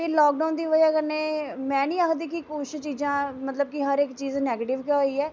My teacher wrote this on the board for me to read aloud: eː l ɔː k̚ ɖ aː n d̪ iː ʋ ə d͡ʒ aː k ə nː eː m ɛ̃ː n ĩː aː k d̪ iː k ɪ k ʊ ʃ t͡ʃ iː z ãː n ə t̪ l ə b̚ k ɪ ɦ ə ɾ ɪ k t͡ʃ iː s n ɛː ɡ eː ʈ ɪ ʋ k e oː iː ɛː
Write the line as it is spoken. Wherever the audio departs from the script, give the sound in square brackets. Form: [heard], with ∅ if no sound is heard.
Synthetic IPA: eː l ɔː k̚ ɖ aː n d̪ iː ʋ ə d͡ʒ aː k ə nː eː m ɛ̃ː n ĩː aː k d̪ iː k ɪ k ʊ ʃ t͡ʃ iː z ãː [m] ə t̪ l ə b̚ k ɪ ɦ ə ɾ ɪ k t͡ʃ iː [z] n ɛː ɡ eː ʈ ɪ ʋ k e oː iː ɛː